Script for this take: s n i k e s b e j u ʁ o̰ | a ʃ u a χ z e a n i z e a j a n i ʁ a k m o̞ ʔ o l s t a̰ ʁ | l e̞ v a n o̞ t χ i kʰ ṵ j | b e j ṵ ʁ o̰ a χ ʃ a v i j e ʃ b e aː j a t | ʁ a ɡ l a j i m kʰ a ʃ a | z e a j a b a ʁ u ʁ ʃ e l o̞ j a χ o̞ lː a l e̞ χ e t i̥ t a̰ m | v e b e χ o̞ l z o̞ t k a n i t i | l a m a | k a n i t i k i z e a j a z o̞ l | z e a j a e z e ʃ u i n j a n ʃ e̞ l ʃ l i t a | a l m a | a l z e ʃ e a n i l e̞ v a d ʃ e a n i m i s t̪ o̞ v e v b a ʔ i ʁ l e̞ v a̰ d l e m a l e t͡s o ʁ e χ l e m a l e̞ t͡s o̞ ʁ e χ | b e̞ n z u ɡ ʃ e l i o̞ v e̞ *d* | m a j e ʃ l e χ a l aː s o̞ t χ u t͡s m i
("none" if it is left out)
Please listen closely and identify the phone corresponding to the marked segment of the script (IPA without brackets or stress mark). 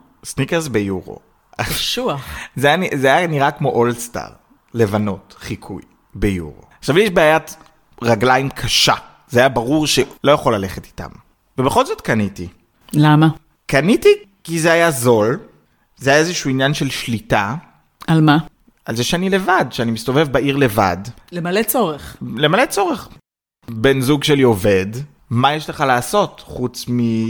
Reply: d